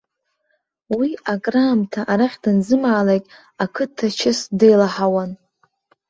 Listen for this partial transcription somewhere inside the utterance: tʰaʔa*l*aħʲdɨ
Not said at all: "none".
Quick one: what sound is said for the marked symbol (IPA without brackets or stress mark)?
ɾ